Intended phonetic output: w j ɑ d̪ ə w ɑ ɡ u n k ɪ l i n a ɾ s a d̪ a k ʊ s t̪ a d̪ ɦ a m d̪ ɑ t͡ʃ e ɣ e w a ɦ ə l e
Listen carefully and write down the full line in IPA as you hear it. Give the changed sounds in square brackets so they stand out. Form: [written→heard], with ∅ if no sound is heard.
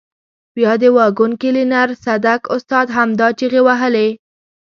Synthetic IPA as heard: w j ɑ d̪ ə w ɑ ɡ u n k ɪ l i n a ɾ s a d̪ a k ʊ s t̪ [a→ɑ] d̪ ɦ a m d̪ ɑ t͡ʃ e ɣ e w a ɦ ə l e